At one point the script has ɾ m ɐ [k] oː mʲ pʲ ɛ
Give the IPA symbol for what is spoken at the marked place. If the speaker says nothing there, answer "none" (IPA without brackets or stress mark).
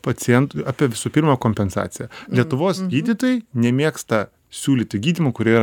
k